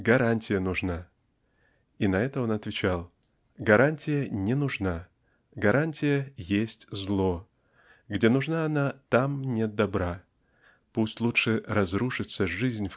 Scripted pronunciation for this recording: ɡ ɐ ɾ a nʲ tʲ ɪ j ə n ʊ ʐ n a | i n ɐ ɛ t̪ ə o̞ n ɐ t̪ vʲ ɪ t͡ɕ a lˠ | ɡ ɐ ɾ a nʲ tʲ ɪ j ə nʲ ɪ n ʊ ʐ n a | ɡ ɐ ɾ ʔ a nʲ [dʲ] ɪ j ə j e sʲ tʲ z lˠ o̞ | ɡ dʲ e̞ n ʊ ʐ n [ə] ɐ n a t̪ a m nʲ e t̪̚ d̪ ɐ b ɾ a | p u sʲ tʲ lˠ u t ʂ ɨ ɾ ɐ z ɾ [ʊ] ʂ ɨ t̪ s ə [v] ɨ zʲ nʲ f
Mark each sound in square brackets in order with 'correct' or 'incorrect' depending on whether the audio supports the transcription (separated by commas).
incorrect, incorrect, incorrect, incorrect